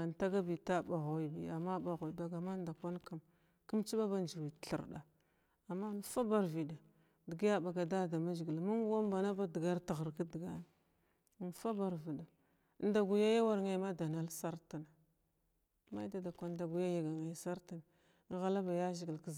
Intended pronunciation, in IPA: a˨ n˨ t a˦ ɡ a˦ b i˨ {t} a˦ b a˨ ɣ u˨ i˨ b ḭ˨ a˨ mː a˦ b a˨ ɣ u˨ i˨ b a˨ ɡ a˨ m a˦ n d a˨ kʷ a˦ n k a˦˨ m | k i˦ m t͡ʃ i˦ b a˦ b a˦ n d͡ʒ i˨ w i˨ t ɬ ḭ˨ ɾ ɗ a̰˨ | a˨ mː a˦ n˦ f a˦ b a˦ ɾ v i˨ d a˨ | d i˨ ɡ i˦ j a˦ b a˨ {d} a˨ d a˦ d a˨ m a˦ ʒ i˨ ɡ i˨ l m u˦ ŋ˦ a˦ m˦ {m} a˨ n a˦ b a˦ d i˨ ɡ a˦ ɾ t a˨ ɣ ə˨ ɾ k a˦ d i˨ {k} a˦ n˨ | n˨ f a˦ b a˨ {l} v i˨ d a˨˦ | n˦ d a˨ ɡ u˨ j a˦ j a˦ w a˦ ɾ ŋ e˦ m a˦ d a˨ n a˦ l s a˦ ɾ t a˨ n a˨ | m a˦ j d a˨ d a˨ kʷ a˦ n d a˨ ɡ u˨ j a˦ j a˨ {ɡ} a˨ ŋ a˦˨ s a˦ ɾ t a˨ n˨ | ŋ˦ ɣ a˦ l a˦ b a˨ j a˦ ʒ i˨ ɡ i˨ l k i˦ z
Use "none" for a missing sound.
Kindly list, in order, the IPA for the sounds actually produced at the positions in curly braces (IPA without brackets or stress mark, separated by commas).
t, ɡ, b, ɡ, ɾ, ɡ